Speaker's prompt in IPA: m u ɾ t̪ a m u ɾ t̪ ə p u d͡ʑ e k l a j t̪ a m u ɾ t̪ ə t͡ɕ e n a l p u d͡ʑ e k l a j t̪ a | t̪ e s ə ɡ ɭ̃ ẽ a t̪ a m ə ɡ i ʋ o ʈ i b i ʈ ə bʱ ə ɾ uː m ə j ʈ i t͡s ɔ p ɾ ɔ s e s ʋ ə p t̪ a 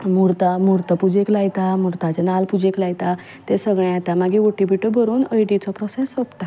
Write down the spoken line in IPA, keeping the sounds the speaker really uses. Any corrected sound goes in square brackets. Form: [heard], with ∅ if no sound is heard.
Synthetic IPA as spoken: m u ɾ t̪ a m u ɾ t̪ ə p u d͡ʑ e k l a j t̪ a m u ɾ t̪ [a] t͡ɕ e n a l p u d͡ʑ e k l a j t̪ a | t̪ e s ə ɡ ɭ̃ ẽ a t̪ a m [a] ɡ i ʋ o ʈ i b i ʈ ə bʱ ə ɾ uː [n] ə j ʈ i t͡s ɔ p ɾ ɔ s e s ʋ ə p t̪ a